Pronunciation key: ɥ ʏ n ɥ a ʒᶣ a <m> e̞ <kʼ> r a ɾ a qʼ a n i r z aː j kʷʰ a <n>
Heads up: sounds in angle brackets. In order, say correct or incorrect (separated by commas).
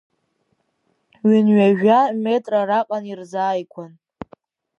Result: correct, incorrect, correct